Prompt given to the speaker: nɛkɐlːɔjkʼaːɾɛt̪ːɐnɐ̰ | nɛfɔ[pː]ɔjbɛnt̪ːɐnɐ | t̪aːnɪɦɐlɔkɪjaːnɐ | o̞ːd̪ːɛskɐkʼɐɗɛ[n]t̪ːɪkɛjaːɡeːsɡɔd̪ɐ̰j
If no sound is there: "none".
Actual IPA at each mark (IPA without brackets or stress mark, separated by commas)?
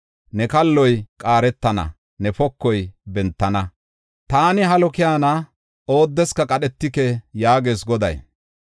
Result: kː, none